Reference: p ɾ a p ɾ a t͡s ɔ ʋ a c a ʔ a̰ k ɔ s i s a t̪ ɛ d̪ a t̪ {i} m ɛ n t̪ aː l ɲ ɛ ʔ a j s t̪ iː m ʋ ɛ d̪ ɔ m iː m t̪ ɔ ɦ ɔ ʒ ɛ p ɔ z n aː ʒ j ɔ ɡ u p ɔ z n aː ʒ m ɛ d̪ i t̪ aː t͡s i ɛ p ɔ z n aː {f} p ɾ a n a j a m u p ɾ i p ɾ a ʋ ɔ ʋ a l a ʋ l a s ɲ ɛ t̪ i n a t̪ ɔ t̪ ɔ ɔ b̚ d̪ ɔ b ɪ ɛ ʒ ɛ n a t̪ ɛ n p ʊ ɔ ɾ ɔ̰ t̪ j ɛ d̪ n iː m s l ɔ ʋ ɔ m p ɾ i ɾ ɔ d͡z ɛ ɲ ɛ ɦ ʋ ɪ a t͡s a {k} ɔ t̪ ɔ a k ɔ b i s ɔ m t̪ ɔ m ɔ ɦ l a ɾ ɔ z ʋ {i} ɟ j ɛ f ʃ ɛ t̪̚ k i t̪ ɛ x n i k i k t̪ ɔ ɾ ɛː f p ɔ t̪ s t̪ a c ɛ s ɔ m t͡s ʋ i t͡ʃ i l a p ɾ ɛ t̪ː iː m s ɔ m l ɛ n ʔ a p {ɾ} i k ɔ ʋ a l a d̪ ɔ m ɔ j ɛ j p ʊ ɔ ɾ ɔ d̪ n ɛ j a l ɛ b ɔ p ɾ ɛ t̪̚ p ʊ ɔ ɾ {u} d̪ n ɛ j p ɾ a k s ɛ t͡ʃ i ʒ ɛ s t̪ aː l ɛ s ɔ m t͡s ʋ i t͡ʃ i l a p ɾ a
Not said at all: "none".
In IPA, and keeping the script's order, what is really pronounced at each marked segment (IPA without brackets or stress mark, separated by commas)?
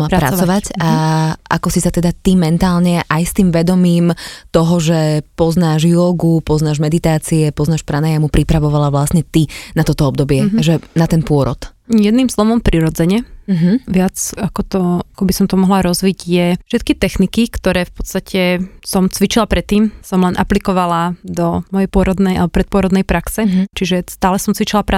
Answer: i, ʃ, k, i, l, ɔ